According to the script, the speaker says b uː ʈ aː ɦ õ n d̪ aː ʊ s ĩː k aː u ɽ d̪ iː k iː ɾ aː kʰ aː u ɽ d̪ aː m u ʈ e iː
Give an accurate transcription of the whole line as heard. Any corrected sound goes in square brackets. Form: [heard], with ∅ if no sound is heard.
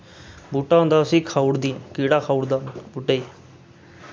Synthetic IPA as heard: b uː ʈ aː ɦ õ n d̪ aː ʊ s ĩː [kʰ] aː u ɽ d̪ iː k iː [ɽ] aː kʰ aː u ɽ d̪ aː [b] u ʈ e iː

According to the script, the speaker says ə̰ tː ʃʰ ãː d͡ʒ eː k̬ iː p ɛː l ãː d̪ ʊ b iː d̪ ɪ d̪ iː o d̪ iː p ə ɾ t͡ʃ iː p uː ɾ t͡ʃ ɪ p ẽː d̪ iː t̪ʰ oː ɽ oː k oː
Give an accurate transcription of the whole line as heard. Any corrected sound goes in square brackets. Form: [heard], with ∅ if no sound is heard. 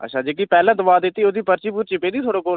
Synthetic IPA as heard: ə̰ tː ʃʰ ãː d͡ʒ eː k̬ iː p ɛː l ãː d̪ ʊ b [aː] d̪ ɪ [t̪] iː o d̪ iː p ə ɾ t͡ʃ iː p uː ɾ t͡ʃ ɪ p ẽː d̪ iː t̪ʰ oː ɽ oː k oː

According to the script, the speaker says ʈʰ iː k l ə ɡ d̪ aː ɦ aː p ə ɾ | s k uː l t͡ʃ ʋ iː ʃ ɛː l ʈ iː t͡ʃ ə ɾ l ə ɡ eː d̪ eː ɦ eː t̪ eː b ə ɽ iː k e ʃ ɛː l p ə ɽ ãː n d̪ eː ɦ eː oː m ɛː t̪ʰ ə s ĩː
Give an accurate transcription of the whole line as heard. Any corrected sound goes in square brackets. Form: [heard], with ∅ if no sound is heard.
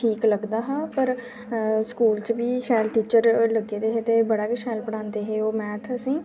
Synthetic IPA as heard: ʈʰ iː k l ə ɡ d̪ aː ɦ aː p ə ɾ | s k uː l t͡ʃ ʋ iː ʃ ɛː l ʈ iː t͡ʃ ə ɾ l ə ɡ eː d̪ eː ɦ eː t̪ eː b ə ɽ [aː] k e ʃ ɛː l p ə ɽ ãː n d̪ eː ɦ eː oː m ɛː t̪ʰ ə s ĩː

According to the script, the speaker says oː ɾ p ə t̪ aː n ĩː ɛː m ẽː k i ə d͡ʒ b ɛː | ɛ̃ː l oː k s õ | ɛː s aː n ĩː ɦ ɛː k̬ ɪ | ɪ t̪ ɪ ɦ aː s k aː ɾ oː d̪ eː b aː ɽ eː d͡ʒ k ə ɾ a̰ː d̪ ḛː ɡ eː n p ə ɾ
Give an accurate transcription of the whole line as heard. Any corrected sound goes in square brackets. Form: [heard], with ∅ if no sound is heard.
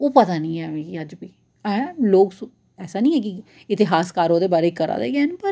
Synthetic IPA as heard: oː [∅] p ə t̪ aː n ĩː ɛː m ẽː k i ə d͡ʒ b [iː] | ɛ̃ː l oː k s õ | ɛː s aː n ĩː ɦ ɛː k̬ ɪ | ɪ t̪ ɪ ɦ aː s k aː ɾ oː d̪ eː b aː [ɾ] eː [∅] k ə ɾ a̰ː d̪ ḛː ɡ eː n p ə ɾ

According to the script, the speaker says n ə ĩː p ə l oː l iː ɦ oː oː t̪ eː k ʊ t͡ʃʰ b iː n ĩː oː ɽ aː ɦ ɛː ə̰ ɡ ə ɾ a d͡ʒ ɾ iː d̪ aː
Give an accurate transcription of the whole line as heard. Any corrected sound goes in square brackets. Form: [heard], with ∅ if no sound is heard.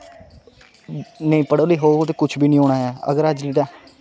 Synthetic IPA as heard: n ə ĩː p ə [ɽ] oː l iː ɦ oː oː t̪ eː k ʊ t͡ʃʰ b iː n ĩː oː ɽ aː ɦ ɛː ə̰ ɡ ə ɾ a d͡ʒ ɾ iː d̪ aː

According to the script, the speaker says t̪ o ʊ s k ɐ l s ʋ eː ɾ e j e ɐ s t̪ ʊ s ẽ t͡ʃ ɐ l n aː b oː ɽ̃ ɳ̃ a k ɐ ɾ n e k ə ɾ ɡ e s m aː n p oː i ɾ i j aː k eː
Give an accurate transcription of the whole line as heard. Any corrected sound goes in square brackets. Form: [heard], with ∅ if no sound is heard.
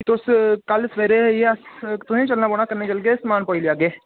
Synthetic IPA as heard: t̪ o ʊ s k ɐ l s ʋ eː ɾ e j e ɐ s t̪ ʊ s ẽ t͡ʃ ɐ l n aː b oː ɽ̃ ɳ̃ a k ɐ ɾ n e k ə [l] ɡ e s m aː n p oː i [l] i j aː [ɡ] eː

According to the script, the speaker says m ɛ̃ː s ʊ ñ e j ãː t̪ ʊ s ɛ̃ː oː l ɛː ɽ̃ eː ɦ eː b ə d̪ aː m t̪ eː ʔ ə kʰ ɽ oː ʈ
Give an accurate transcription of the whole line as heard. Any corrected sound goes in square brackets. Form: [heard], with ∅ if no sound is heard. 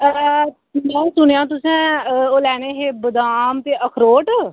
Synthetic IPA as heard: m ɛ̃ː s ʊ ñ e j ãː t̪ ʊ s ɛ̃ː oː l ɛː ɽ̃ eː ɦ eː b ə d̪ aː m t̪ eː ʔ ə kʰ [ɾ] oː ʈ

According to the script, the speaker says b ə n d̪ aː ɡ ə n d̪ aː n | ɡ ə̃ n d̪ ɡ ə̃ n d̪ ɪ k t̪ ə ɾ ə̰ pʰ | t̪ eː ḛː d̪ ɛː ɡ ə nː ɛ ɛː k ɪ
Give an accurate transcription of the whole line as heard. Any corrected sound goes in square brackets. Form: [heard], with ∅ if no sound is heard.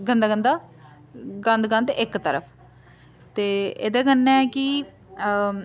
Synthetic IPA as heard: [ɡ] ə n d̪ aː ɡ ə n d̪ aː [∅] | ɡ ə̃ n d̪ ɡ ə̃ n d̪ ɪ k t̪ ə ɾ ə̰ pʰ | t̪ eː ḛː d̪ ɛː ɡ ə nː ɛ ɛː k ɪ

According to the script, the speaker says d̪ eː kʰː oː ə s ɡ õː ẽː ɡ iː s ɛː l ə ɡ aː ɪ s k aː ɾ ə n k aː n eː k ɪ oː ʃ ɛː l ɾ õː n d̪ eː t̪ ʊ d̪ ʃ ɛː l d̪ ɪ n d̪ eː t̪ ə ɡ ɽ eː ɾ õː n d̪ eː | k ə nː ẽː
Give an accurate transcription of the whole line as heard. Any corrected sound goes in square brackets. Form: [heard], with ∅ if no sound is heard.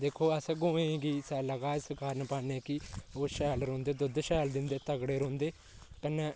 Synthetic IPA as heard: d̪ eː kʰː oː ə s ɡ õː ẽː ɡ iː s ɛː l ə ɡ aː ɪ s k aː ɾ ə n [p] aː n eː k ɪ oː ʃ ɛː l ɾ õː n d̪ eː [d̪] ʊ d̪ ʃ ɛː l d̪ ɪ n d̪ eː t̪ ə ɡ ɽ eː ɾ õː n d̪ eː | k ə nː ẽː

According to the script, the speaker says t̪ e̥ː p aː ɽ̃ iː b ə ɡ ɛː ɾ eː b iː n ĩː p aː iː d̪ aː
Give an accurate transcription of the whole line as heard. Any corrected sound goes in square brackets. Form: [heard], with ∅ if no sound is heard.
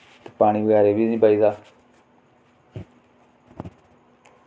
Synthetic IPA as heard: t̪ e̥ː p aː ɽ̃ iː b ə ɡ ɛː ɾ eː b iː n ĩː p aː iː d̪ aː

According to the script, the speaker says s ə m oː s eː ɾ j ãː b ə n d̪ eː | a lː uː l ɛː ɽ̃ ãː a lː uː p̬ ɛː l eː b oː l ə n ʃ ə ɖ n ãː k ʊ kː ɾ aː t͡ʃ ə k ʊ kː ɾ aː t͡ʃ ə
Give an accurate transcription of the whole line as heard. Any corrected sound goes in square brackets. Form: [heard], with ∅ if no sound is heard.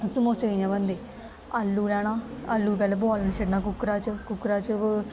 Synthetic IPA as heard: s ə m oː s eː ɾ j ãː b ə n d̪ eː | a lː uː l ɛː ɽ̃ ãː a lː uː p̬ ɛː l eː b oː l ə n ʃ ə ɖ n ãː k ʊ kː ɾ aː t͡ʃ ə k ʊ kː ɾ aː t͡ʃ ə

